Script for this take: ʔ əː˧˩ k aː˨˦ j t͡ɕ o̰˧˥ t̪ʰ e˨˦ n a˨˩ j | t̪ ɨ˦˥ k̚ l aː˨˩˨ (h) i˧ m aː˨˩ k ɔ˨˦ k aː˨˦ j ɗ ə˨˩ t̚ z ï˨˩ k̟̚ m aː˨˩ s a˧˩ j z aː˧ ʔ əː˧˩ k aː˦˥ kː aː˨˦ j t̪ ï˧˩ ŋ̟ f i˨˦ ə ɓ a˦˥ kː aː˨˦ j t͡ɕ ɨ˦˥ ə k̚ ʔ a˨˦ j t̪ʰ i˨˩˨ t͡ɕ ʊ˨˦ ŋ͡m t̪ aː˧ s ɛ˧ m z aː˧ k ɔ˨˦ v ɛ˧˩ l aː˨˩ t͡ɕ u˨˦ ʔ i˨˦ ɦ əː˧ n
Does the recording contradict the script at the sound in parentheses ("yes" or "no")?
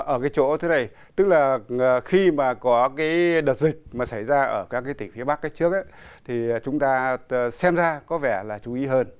yes